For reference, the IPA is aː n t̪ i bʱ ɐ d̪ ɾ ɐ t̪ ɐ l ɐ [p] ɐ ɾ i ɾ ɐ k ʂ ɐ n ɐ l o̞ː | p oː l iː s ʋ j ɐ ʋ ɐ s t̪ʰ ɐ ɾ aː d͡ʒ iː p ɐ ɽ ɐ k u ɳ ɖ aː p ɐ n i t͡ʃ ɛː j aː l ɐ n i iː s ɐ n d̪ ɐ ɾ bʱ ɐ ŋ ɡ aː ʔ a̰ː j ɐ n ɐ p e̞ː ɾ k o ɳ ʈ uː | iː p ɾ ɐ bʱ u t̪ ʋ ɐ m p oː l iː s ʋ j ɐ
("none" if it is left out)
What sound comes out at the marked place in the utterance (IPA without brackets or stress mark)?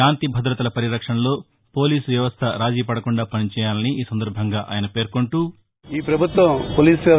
p